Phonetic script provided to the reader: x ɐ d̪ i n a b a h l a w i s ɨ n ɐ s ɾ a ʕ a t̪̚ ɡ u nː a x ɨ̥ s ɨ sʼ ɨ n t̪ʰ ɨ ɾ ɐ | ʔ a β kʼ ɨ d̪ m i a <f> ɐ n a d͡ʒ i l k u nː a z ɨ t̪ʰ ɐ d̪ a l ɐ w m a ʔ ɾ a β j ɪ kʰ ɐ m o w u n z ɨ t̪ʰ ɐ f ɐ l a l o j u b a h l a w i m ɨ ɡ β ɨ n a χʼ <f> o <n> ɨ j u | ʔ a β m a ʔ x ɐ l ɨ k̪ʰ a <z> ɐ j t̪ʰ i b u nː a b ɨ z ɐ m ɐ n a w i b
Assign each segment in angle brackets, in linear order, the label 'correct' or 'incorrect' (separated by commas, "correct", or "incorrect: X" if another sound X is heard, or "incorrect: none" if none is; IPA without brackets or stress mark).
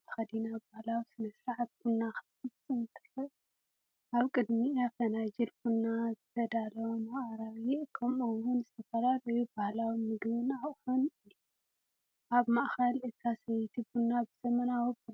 correct, incorrect: ħ, correct, incorrect: s